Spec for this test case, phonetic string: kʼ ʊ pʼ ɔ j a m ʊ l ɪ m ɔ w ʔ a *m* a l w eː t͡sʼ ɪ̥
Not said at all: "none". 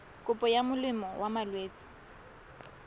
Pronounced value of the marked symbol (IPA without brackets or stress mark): m